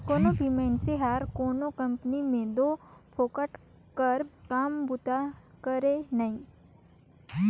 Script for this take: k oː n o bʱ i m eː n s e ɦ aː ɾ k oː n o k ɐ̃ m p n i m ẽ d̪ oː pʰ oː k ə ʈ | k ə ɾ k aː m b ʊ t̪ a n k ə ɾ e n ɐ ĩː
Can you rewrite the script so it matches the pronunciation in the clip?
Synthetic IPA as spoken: k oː n o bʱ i m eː n s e ɦ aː ɾ k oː n o k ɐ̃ m p n i m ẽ d̪ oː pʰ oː k ə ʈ | k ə ɾ k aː m b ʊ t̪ a k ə ɾ e n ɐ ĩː